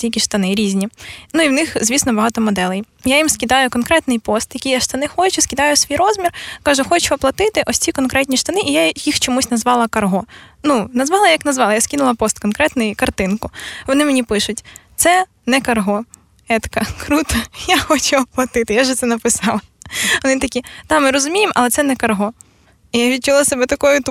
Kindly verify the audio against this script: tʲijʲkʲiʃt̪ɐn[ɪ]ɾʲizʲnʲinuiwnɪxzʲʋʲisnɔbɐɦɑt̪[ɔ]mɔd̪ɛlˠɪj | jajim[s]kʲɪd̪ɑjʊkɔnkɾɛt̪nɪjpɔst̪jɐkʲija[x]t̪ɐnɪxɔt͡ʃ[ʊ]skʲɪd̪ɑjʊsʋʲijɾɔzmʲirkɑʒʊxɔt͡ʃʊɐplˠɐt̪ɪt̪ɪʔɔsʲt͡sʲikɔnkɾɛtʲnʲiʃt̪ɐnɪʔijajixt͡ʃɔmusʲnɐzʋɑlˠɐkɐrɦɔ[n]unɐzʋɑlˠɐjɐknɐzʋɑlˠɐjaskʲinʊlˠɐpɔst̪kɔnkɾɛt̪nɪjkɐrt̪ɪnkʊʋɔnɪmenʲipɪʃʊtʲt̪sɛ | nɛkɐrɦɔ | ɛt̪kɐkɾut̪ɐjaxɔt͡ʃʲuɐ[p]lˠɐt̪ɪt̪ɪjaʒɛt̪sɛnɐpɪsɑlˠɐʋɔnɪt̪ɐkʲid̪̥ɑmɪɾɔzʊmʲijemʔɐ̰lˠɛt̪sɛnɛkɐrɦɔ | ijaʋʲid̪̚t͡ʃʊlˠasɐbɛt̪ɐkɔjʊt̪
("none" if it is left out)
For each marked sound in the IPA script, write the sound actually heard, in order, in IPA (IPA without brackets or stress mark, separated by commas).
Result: ɪ, ɔ, s, ʃ, ʊ, n, p